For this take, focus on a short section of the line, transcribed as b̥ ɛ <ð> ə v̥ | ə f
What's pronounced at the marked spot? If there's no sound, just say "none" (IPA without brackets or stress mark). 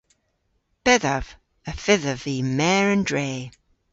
ð